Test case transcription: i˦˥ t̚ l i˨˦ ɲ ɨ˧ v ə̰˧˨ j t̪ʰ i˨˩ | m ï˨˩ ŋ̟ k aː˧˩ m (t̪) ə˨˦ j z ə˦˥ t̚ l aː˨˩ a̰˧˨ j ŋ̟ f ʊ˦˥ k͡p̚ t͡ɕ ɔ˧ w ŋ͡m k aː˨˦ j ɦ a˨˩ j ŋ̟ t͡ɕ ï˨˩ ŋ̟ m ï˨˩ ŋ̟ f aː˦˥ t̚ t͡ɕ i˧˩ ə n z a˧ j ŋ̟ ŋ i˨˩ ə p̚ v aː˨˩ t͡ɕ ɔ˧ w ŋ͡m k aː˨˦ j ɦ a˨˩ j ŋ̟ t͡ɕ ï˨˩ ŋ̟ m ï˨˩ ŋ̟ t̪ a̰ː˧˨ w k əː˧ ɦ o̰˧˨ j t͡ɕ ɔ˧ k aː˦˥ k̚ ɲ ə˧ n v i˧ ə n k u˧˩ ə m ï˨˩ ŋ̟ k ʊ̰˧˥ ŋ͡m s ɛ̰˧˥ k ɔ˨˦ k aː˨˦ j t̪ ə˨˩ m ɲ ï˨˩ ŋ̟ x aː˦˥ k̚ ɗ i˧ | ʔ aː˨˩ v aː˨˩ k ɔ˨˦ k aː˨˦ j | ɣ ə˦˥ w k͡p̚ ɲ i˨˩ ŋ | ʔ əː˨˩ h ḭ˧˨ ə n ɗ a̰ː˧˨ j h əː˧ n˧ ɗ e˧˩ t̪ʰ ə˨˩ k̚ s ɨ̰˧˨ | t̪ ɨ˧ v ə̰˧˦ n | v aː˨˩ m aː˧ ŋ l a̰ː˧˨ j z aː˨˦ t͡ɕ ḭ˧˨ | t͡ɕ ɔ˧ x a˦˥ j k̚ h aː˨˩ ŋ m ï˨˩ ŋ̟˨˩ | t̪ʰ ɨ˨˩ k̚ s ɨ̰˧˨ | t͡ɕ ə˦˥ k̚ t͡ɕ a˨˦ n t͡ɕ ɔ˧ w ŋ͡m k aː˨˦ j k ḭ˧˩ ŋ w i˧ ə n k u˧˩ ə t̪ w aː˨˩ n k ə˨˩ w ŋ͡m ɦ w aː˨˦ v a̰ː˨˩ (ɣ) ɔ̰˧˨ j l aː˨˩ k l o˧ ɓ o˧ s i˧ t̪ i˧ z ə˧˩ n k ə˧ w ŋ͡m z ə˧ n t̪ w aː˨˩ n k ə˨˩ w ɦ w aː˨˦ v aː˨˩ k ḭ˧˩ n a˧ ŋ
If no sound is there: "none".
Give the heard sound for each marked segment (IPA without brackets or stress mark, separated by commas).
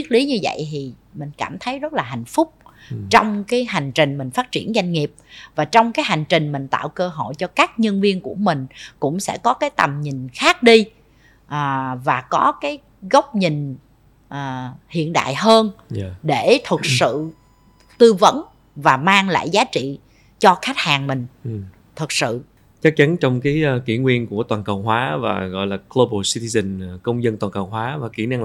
t̪ʰ, ɣ